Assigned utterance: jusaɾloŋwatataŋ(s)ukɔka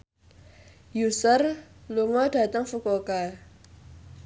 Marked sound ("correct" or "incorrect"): incorrect